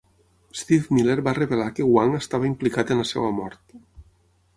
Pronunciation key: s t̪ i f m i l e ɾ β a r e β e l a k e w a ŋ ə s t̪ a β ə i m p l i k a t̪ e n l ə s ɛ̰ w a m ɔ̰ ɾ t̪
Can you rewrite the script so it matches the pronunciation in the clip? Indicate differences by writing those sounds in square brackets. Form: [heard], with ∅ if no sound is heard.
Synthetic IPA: s t̪ i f m i l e ɾ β a r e β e l a k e w a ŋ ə s t̪ a β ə i m p l i k a t̪ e n l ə s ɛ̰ w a m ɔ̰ ɾ t̪